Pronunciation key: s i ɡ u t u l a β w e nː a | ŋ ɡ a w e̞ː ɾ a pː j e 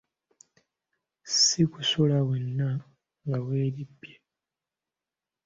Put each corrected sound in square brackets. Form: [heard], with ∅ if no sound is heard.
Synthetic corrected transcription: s i [k] u [s] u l a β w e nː a | ŋ ɡ a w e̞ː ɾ [i] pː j e